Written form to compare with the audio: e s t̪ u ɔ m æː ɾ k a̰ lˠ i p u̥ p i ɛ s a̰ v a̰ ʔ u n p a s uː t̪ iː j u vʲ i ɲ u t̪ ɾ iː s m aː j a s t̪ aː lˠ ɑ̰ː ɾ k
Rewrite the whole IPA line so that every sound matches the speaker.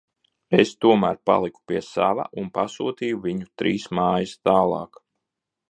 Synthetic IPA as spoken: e s t̪ u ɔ m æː ɾ p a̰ lˠ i k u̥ p i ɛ s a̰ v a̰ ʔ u n p a s uː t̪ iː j u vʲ i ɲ u t̪ ɾ iː s m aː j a s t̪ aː lˠ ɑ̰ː k